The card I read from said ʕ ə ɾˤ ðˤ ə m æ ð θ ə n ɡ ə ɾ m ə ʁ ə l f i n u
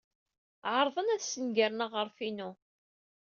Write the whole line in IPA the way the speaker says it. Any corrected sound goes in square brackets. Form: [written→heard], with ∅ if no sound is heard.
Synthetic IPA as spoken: ʕ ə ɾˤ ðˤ ə [m→n] æ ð [θ→s] ə n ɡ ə ɾ [m→n] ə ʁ ə [l→ɾ] f i n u